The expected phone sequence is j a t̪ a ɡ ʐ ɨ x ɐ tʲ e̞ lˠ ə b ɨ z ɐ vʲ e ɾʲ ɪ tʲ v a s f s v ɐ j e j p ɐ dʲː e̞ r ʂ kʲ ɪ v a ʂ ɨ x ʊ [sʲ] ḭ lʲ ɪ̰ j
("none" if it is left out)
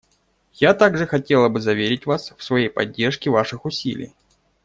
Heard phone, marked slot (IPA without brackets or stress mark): sʲ